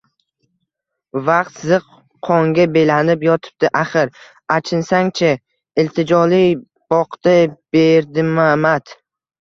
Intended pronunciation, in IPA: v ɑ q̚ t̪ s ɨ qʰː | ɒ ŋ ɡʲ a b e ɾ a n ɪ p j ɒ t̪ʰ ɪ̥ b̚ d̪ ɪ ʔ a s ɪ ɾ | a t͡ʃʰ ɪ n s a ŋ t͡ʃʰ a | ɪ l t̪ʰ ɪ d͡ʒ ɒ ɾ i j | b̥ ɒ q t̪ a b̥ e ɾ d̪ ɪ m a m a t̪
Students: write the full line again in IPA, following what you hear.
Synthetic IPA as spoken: v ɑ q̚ t̪ z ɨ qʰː | ɒ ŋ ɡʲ a b e l a n ɪ p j ɒ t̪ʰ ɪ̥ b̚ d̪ ɪ ʔ a χ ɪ ɾ | a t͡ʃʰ ɪ n s a ŋ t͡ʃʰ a | ɪ l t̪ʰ ɪ d͡ʒ ɒ l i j | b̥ ɒ q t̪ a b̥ e ɾ d̪ ɪ m a m a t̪